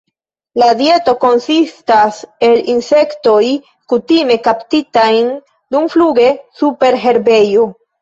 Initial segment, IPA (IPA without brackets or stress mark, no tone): l